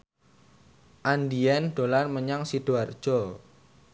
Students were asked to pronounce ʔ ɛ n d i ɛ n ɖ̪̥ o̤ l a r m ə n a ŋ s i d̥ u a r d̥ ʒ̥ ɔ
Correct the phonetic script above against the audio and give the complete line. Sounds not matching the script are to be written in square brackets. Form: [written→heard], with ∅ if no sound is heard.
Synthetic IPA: ʔ [ɛ→a] n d i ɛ n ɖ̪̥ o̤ l a r m ə [n→ɲ] a ŋ s i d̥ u a r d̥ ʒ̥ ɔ